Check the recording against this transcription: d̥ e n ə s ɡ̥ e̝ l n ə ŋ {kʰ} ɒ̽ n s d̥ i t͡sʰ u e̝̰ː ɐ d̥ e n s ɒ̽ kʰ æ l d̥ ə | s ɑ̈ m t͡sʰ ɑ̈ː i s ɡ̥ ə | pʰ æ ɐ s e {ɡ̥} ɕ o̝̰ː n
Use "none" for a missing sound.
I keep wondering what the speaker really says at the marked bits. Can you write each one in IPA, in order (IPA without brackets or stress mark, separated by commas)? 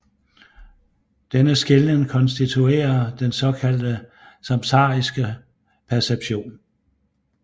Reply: kʰ, b̥